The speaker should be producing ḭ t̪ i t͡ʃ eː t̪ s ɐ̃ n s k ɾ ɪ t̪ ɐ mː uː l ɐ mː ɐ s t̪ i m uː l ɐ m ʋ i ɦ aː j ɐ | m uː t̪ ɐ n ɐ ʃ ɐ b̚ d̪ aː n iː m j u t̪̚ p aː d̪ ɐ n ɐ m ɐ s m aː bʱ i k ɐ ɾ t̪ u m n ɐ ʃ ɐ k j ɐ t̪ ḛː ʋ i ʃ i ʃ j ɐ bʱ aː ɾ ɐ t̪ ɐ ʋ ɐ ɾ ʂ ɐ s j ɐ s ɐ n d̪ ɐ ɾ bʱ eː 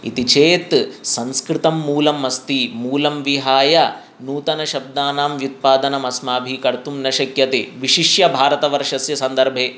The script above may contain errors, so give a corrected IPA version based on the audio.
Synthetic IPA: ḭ t̪ i t͡ʃ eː t̪ s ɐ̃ n s k ɾ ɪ t̪ ɐ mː uː l ɐ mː ɐ s t̪ i m uː l ɐ m ʋ i ɦ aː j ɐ | n uː t̪ ɐ n ɐ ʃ ɐ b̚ d̪ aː n aː m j u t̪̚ p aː d̪ ɐ n ɐ m ɐ s m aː bʱ i k ɐ ɾ t̪ u m n ɐ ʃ ɐ k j ɐ t̪ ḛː ʋ i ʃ i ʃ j ɐ bʱ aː ɾ ɐ t̪ ɐ ʋ ɐ ɾ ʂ ɐ s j ɐ s ɐ n d̪ ɐ ɾ bʱ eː